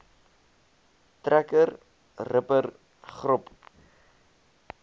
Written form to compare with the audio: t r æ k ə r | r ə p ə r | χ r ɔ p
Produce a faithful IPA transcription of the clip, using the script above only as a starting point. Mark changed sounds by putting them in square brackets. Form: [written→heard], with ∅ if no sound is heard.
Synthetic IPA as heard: t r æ k ə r | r ə p ə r | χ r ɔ p